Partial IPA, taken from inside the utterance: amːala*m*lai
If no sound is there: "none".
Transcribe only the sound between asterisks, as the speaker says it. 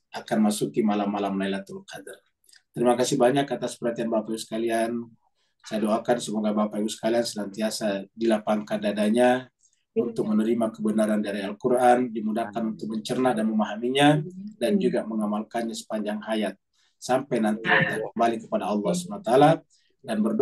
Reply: m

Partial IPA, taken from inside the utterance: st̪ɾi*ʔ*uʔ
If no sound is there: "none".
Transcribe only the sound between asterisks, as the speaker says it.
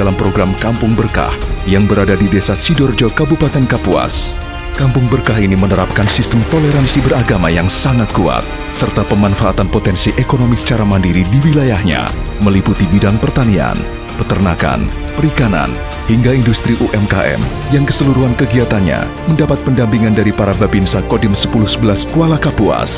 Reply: ʔ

